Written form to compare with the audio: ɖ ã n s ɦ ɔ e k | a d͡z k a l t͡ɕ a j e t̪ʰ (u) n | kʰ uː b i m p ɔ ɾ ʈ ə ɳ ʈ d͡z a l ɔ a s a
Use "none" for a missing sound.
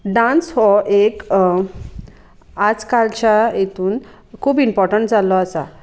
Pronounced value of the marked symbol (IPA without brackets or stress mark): uː